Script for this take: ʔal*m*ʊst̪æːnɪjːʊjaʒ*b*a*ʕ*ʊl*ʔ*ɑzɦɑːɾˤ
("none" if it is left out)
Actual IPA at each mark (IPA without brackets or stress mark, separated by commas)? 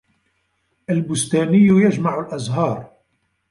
b, m, ʕ, ʔ